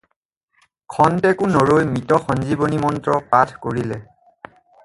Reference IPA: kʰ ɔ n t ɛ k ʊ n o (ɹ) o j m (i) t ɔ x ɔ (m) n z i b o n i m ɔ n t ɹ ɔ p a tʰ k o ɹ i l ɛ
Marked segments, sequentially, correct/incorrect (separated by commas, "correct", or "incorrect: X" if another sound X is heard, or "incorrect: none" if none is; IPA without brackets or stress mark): correct, correct, incorrect: none